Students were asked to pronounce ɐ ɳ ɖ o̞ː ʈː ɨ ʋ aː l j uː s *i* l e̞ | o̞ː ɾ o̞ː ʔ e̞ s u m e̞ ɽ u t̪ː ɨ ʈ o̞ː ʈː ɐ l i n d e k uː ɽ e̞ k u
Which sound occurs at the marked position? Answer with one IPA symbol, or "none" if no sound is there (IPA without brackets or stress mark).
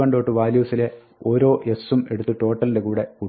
i